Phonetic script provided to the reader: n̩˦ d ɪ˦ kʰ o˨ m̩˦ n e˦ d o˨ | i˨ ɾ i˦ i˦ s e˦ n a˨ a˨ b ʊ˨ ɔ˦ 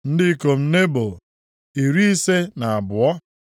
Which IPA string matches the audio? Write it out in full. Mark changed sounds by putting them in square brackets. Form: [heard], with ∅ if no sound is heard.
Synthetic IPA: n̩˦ d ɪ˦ [k] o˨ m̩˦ n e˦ [b] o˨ | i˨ ɾ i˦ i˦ s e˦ n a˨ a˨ b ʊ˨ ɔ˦